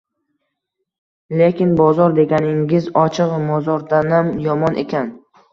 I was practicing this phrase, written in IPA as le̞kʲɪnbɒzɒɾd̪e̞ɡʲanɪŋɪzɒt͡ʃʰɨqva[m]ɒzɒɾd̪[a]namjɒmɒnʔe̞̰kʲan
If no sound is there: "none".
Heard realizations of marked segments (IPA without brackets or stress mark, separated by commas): m, a